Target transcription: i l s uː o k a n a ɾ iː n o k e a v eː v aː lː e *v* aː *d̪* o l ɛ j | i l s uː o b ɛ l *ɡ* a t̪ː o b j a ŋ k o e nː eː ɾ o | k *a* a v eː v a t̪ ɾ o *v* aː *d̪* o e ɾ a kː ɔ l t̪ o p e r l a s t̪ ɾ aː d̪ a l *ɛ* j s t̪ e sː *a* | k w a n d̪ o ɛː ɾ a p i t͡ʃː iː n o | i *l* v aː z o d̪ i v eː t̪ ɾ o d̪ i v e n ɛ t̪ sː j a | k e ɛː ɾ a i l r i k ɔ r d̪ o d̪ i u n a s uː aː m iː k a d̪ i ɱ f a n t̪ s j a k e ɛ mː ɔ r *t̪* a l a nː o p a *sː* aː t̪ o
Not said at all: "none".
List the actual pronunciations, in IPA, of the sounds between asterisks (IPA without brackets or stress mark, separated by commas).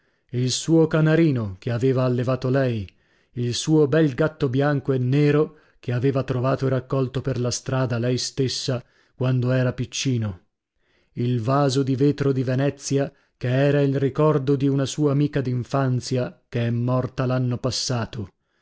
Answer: v, t̪, ɡ, e, v, t̪, ɛ, a, l, t̪, sː